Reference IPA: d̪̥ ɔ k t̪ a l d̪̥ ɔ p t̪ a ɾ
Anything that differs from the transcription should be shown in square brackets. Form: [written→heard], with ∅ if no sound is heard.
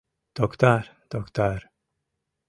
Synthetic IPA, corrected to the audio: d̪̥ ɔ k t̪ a [l→ɾ] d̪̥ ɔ [p→k] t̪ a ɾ